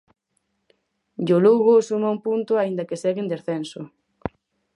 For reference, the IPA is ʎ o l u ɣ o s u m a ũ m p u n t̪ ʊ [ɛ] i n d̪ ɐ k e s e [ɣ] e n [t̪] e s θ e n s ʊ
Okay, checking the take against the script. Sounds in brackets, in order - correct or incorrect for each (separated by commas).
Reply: incorrect, correct, incorrect